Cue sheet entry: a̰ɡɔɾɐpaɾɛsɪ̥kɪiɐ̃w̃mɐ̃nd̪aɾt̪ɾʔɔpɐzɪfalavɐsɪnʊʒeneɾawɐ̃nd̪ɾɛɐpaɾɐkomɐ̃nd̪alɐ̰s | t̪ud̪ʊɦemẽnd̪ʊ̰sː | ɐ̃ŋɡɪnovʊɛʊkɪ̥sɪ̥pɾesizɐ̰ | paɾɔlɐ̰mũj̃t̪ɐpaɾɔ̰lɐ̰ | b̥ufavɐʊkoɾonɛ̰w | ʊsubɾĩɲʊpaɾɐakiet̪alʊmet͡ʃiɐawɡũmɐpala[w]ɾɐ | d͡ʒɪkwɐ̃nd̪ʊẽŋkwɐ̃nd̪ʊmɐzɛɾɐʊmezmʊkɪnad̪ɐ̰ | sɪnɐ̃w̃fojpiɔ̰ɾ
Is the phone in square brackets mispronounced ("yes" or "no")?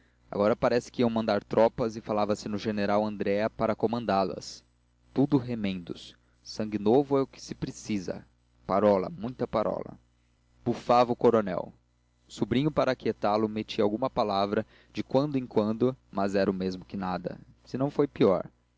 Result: yes